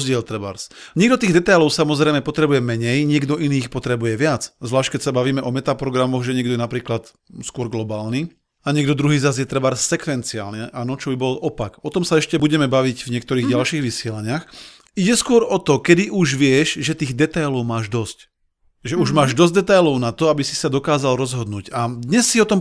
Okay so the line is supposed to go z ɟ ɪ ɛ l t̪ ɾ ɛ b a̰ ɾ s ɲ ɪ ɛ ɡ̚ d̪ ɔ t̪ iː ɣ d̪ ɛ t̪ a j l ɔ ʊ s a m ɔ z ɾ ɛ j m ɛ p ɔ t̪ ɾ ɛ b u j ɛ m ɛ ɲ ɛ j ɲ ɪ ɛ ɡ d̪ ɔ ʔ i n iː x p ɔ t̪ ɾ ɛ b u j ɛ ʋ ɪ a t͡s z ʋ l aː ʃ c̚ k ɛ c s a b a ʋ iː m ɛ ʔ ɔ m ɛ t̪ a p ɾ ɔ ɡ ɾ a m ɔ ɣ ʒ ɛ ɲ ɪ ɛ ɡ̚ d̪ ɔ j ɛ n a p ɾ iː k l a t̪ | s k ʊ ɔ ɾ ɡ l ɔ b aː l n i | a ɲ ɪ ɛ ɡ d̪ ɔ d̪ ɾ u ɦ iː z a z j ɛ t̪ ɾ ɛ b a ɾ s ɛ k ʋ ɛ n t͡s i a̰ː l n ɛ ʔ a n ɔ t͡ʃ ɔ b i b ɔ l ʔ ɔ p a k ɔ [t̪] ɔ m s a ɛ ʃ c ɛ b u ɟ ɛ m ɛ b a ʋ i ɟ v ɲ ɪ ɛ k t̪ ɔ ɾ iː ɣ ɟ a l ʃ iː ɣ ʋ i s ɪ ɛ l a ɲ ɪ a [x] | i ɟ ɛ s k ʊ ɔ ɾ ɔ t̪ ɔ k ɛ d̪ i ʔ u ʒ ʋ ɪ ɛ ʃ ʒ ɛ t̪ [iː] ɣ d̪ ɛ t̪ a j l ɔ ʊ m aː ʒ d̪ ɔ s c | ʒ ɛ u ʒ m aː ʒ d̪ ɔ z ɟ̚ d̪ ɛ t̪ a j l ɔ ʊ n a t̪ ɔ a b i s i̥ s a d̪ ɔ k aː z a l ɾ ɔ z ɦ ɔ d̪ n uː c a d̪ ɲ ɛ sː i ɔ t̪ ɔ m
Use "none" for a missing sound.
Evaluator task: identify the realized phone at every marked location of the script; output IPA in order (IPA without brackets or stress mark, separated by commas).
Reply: t̪, x, iː